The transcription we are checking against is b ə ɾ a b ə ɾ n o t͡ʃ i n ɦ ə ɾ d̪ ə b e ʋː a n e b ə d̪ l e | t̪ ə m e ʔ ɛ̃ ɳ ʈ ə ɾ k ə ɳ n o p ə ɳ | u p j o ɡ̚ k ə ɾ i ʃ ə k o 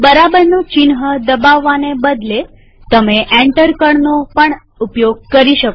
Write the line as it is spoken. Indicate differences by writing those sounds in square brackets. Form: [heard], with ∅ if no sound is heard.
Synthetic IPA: b ə ɾ a b ə ɾ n o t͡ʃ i n ɦ ə [∅] d̪ ə b [a] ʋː a n e b ə d̪ l e | t̪ ə m e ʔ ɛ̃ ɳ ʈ ə ɾ k ə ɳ n o p ə ɳ | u p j o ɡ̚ k ə ɾ i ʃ ə k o